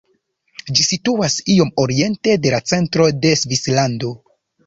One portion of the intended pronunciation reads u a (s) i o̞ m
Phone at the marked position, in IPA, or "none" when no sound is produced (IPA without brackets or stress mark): s